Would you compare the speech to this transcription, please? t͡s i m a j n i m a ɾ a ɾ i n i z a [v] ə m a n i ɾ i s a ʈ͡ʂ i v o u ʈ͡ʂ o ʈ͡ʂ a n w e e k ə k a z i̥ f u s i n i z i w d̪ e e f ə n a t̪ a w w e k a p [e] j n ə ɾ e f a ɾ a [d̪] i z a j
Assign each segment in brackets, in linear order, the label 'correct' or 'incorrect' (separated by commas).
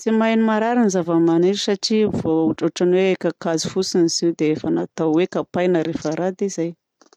correct, incorrect, correct